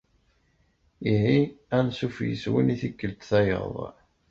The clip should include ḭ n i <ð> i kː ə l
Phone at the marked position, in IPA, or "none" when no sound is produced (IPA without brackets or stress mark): θ